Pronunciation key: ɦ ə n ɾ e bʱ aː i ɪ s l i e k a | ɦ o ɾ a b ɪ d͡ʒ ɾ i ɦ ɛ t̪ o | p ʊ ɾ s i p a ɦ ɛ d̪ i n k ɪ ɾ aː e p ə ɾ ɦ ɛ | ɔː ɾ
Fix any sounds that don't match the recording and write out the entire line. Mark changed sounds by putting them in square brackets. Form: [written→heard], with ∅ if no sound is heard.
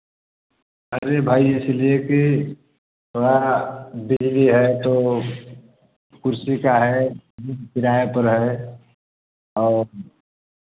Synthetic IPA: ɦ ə [n→∅] ɾ e bʱ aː i ɪ s l i e k [a→i] | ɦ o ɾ a b ɪ d͡ʒ [ɾ→l] i ɦ ɛ t̪ o | [p→k] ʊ ɾ s i [p→k] a ɦ ɛ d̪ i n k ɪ ɾ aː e p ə ɾ ɦ ɛ | ɔː ɾ

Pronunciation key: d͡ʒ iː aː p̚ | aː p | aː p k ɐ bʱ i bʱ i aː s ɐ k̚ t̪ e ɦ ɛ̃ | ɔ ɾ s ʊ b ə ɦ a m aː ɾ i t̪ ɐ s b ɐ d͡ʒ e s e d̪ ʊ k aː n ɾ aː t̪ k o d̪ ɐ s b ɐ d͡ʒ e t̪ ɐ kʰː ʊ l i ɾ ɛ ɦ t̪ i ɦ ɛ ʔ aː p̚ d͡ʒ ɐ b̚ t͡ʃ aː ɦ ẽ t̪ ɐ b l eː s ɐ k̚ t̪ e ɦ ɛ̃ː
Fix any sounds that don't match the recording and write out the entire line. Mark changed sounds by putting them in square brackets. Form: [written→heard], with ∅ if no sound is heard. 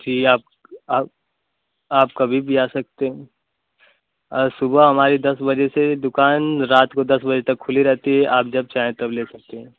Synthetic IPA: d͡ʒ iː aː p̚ | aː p | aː p k ɐ bʱ i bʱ i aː s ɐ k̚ t̪ e ɦ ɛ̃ | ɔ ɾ s ʊ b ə ɦ [a→ɐ] m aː ɾ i [t̪→d̪] ɐ s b ɐ d͡ʒ e s e d̪ ʊ k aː n ɾ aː t̪ k o d̪ ɐ s b ɐ d͡ʒ e t̪ ɐ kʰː ʊ l i ɾ ɛ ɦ t̪ i ɦ ɛ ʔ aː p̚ d͡ʒ ɐ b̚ t͡ʃ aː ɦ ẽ t̪ ɐ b l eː s ɐ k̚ t̪ e ɦ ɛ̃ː

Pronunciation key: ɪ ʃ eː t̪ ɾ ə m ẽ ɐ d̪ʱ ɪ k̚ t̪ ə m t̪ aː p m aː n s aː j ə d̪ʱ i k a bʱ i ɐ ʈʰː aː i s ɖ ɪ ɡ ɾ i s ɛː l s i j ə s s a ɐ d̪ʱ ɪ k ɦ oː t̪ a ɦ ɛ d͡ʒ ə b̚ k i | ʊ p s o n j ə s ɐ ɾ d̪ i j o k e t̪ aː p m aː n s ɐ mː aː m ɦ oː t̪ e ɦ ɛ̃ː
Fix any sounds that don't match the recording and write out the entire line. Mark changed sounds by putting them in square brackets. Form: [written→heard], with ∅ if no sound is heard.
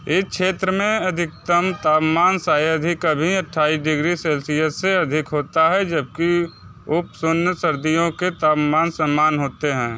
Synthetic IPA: ɪ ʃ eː t̪ ɾ ə m ẽ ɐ d̪ʱ ɪ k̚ t̪ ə m t̪ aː p m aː n s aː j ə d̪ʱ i k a bʱ i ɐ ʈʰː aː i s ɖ ɪ ɡ ɾ i s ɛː l s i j ə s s [a→e] ɐ d̪ʱ ɪ k ɦ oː t̪ a ɦ ɛ d͡ʒ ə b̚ k i | ʊ p s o n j ə s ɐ ɾ d̪ i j [o→õ] k e t̪ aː p m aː n s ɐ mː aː [m→n] ɦ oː t̪ e ɦ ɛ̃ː

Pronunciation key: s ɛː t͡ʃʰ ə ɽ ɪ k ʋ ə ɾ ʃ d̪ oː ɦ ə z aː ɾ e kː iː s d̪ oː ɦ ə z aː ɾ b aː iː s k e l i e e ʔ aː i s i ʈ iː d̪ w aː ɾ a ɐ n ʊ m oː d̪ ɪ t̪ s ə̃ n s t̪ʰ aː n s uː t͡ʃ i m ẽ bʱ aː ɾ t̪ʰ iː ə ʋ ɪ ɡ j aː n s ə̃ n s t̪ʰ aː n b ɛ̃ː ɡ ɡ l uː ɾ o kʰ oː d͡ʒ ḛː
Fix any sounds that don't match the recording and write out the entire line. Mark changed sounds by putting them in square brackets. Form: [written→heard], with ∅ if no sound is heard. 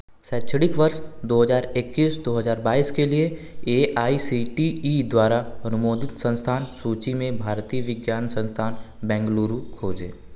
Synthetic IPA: s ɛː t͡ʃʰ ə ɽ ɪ k ʋ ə ɾ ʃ d̪ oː ɦ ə z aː ɾ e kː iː s d̪ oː ɦ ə z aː ɾ b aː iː s k e l i e e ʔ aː i s i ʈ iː d̪ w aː ɾ a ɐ n ʊ m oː d̪ ɪ t̪ s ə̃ n s t̪ʰ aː n s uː t͡ʃ i m ẽ bʱ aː ɾ [t̪ʰ→t̪] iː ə ʋ ɪ ɡ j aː n s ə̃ n s t̪ʰ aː n b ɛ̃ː [ɡ→ŋ] ɡ l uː ɾ [o→u] kʰ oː d͡ʒ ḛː

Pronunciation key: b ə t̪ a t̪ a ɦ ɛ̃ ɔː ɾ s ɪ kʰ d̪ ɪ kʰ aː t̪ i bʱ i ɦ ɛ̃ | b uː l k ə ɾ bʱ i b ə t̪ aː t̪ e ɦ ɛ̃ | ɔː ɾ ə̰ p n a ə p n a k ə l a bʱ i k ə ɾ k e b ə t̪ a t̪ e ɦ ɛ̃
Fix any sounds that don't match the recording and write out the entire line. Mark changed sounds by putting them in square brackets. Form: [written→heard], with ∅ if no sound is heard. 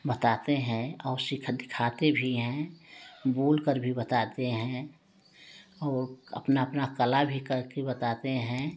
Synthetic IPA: b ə t̪ a t̪ [a→e] ɦ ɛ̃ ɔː ɾ s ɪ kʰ d̪ ɪ kʰ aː t̪ [i→e] bʱ i ɦ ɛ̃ | b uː l k ə ɾ bʱ i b ə t̪ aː t̪ e ɦ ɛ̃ | ɔː ɾ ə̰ p n a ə p n a k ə l a bʱ i k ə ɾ k e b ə t̪ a t̪ e ɦ ɛ̃

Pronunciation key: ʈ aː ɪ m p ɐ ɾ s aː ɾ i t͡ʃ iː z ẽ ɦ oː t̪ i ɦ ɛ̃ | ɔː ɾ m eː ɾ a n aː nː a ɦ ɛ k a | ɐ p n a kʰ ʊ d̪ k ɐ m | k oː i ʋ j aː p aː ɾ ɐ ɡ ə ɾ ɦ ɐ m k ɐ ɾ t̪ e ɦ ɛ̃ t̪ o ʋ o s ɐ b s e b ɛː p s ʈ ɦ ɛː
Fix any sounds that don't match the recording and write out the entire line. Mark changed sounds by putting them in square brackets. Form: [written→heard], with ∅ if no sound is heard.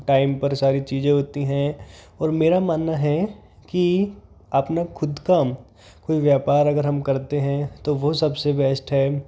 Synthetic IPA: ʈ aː ɪ m p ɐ ɾ s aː ɾ i t͡ʃ iː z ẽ ɦ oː t̪ i ɦ ɛ̃ | ɔː ɾ m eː ɾ a [n→m] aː nː a ɦ ɛ k [a→i] | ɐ p n a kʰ ʊ d̪ k [ɐ→a] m | k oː i ʋ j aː p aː ɾ ɐ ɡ ə ɾ ɦ ɐ m k ɐ ɾ t̪ e ɦ ɛ̃ t̪ o ʋ o s ɐ b s e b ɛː [p→∅] s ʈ ɦ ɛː

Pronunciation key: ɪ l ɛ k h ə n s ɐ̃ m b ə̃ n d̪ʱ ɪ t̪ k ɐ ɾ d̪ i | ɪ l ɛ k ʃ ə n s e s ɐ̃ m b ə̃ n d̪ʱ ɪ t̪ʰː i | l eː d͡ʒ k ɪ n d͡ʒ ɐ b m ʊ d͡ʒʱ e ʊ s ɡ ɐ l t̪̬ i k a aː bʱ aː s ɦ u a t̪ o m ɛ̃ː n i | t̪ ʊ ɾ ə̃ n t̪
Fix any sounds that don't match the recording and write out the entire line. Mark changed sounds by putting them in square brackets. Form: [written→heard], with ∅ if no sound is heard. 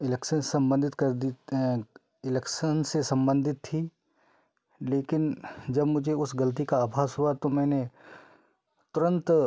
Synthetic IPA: ɪ l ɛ k [h→ʃ] ə n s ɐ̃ m b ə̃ n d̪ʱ ɪ t̪ k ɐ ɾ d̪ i | ɪ l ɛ k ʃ ə n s e s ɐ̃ m b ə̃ n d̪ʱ ɪ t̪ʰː i | l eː [d͡ʒ→∅] k ɪ n d͡ʒ ɐ b m ʊ d͡ʒʱ e ʊ s ɡ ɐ l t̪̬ i k a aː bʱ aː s ɦ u a t̪ o m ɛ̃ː n [i→e] | t̪ ʊ ɾ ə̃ n t̪

